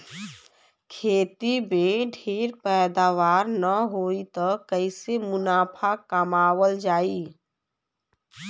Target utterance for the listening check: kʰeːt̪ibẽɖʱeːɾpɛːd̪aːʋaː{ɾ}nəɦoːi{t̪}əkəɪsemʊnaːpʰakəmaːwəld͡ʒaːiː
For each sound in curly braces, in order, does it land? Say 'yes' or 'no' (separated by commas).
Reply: yes, yes